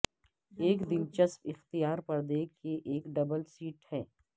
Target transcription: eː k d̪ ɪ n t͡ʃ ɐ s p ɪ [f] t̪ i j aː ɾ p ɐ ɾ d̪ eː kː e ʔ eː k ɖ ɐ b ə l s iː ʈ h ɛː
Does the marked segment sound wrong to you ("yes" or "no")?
yes